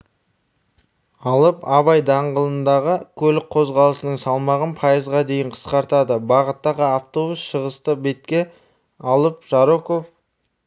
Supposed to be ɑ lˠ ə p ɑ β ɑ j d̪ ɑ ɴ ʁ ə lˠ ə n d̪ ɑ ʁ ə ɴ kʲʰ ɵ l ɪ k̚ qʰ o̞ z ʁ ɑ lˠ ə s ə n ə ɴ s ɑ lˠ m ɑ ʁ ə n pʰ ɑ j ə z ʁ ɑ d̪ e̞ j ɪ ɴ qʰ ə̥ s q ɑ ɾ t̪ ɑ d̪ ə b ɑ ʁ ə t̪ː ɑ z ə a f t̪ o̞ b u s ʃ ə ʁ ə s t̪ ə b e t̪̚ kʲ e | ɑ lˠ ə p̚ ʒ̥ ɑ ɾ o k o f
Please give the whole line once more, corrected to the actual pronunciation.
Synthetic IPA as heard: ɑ lˠ ə p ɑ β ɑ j d̪ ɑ ɴ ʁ ə lˠ ə n d̪ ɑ ʁ ə kʲʰ ɵ l ɪ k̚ qʰ o̞ z ʁ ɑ lˠ ə s ə n ə ɴ s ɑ lˠ m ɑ ʁ ə n pʰ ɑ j ə z ʁ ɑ d̪ e̞ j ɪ ɴ qʰ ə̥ s q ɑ ɾ t̪ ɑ d̪ ə b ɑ ʁ ə t̪ː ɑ ʁ ə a f t̪ o̞ b u s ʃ ə ʁ ə s t̪ ə b e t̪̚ kʲ e | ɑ lˠ ə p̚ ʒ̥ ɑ ɾ o k o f